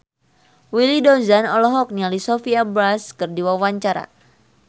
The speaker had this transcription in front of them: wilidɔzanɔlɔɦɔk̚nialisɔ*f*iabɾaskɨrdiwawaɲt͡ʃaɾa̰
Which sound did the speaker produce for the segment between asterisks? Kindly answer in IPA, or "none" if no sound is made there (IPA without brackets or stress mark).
f